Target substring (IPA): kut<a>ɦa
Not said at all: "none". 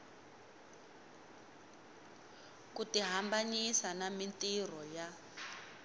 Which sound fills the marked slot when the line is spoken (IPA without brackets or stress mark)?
i